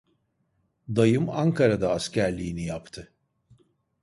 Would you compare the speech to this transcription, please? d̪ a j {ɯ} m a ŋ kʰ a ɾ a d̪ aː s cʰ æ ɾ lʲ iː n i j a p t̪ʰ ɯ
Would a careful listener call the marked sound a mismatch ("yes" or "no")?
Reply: no